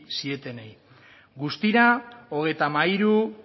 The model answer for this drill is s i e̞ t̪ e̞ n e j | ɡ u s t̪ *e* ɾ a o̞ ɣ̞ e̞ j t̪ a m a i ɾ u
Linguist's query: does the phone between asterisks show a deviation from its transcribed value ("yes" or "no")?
yes